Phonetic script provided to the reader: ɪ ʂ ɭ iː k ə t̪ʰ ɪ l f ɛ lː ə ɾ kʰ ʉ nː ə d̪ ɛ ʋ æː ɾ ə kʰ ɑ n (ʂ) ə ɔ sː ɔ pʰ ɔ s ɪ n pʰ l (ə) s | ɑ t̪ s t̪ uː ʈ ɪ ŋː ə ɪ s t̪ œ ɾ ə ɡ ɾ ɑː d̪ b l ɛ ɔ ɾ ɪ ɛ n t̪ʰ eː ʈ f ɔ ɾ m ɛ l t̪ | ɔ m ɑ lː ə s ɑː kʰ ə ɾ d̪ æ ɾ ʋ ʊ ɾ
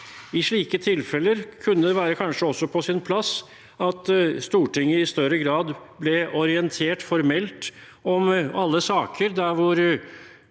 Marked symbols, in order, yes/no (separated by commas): yes, no